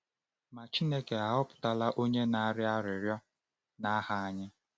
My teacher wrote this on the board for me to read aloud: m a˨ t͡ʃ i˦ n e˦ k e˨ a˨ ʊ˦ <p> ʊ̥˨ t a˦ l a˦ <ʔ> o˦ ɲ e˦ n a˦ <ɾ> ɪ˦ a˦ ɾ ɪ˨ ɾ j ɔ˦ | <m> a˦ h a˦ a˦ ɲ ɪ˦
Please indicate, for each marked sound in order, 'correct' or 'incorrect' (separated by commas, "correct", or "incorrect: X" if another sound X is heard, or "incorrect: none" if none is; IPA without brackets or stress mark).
correct, correct, correct, incorrect: n